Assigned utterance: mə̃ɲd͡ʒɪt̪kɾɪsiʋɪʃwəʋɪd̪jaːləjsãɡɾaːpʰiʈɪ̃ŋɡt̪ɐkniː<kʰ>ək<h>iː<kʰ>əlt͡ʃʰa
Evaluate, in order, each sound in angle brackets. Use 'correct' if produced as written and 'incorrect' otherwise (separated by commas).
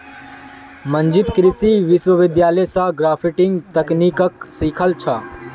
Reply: incorrect, incorrect, correct